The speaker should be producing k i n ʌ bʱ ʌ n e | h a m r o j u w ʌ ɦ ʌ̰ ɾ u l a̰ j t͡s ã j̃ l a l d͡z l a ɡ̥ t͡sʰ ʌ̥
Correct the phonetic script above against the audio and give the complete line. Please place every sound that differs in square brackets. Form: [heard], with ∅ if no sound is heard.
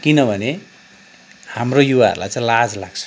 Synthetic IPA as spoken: k i n ʌ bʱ ʌ n e | h a m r o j u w [a] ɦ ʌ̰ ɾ u l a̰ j t͡s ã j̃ l a [∅] d͡z l a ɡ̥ t͡sʰ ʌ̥